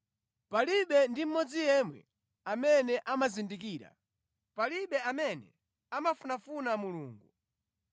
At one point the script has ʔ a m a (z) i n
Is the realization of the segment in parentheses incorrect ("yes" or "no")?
no